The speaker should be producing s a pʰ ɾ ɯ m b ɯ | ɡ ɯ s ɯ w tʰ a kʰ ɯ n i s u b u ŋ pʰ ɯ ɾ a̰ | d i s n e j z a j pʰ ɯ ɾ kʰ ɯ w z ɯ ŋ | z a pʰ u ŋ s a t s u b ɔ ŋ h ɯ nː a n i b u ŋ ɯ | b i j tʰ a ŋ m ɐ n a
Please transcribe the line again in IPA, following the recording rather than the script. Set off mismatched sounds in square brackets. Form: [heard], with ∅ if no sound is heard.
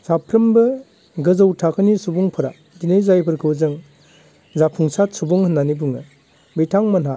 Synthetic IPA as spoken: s a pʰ ɾ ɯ m b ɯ | ɡ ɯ [z] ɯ w tʰ a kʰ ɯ n i s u b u ŋ pʰ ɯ ɾ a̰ | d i [∅] n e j z a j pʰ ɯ ɾ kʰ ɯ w z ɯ ŋ | z a pʰ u ŋ s a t s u b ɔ ŋ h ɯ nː a n i b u ŋ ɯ | b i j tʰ a ŋ m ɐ n a